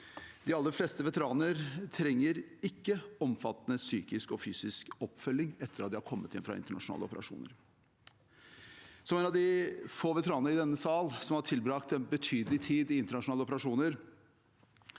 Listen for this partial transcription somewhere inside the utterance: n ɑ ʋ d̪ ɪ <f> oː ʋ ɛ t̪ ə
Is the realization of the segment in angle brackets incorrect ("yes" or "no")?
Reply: no